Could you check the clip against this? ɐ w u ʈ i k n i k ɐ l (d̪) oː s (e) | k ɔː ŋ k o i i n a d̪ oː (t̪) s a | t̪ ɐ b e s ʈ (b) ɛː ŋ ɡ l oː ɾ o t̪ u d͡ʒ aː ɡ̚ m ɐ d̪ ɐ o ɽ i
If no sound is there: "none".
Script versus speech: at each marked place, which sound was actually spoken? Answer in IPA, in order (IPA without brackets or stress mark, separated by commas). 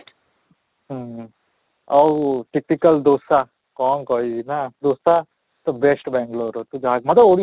d̪, a, none, b